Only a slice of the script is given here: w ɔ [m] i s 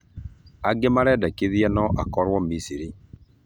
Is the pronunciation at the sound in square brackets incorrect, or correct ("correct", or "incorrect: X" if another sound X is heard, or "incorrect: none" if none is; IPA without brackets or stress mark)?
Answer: correct